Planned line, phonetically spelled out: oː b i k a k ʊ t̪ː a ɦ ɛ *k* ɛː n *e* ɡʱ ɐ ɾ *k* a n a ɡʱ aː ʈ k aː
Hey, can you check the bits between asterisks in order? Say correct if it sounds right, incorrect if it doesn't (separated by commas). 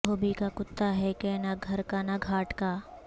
correct, incorrect, correct